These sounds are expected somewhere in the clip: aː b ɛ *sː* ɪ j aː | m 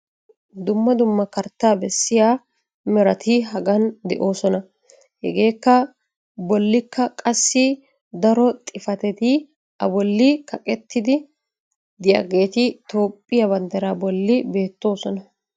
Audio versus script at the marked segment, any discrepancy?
no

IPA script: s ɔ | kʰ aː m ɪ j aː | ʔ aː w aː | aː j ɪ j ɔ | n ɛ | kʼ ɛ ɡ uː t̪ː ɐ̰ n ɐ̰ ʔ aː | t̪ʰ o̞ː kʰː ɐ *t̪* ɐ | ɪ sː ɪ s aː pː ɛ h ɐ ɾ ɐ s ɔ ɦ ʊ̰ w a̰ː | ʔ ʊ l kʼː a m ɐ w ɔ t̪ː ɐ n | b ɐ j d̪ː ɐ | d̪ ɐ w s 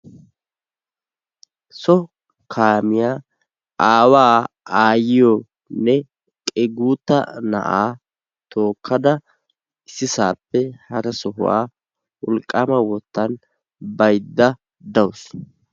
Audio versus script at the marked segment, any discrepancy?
yes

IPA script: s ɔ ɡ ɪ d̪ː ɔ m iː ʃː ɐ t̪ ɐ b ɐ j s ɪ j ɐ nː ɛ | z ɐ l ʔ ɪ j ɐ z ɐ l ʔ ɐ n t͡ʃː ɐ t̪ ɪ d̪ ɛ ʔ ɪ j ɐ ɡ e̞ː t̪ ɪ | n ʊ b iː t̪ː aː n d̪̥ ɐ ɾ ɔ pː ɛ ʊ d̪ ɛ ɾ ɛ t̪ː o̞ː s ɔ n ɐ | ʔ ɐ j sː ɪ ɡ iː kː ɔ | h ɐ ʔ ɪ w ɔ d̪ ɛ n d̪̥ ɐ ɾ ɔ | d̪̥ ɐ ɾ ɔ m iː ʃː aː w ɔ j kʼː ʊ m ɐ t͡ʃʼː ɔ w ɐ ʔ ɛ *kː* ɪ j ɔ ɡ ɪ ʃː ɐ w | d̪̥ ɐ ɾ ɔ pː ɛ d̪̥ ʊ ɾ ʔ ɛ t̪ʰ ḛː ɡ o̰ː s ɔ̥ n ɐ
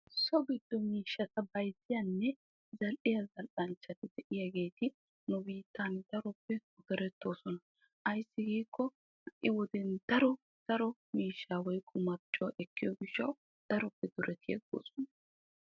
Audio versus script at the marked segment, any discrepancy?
no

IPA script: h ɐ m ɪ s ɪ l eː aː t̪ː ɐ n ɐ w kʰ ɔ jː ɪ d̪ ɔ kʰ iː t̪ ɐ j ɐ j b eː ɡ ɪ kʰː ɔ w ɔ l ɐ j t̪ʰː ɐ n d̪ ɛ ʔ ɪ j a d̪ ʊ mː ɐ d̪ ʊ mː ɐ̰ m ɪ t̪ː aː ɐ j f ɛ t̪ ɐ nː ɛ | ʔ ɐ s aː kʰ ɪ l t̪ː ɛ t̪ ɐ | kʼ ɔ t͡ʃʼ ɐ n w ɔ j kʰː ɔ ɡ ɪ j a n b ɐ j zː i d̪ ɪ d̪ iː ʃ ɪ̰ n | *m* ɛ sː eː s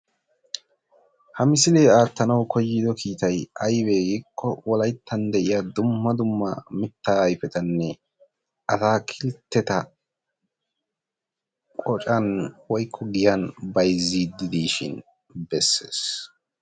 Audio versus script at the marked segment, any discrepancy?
yes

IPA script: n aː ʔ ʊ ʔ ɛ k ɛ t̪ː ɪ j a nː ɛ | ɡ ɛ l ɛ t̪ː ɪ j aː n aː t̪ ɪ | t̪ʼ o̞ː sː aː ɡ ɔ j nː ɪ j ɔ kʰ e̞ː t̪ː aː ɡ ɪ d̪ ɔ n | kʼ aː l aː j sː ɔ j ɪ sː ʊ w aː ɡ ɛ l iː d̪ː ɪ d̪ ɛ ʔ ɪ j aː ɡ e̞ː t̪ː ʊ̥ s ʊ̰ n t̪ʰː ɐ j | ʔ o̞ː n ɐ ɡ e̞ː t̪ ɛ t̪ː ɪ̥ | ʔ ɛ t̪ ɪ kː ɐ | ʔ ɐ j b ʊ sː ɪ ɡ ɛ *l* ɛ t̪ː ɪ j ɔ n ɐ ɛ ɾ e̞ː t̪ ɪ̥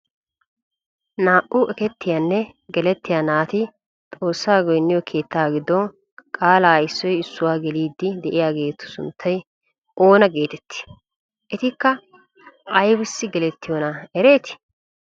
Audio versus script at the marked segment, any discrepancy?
no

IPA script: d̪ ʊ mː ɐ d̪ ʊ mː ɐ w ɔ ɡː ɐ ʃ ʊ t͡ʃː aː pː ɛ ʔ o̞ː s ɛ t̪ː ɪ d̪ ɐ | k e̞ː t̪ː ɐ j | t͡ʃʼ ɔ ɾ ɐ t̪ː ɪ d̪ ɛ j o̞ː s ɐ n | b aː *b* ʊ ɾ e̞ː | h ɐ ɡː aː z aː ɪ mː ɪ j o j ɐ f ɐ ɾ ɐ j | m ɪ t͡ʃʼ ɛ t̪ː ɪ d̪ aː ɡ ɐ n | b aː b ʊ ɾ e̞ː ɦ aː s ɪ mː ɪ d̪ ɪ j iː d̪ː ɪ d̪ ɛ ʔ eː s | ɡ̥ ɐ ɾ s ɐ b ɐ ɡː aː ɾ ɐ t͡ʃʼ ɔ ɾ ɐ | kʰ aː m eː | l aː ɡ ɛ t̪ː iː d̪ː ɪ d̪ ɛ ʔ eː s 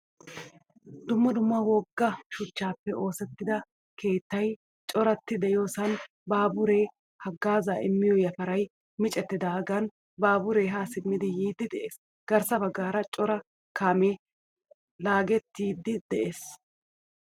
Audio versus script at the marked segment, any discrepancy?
no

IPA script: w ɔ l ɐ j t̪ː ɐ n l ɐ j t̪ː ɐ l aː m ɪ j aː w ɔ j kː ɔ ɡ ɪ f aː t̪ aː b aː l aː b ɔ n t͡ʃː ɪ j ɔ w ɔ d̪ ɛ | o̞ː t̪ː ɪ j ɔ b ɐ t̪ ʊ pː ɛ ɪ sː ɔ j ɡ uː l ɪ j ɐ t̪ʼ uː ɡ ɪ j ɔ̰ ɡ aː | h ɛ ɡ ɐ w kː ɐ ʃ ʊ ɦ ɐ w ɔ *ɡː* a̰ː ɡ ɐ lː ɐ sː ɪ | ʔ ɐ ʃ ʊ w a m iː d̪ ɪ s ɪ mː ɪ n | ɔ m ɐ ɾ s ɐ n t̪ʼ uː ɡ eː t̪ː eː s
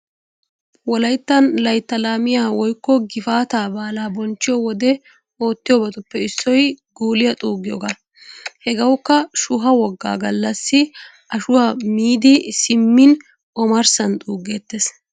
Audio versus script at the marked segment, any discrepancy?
no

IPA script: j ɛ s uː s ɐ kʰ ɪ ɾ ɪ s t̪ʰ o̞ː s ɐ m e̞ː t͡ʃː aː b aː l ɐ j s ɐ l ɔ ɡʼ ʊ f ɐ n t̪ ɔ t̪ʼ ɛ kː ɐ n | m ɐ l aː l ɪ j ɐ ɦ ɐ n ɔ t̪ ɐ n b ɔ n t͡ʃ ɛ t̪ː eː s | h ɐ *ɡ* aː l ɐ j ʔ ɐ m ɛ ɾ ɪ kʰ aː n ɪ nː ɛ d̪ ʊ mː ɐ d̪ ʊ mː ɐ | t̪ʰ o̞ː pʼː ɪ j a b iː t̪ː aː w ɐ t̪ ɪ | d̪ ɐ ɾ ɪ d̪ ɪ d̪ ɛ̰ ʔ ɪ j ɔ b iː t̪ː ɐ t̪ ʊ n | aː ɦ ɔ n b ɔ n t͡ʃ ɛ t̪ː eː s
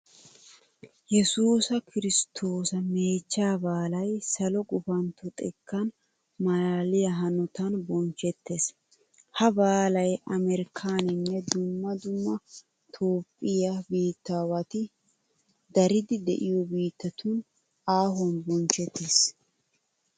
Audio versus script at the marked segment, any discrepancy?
yes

